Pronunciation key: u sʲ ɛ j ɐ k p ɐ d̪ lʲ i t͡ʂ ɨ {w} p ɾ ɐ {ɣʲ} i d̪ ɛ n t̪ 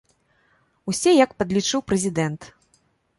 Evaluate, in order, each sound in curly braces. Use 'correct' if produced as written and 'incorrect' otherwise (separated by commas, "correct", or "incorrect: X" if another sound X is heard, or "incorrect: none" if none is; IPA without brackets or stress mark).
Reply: correct, incorrect: zʲ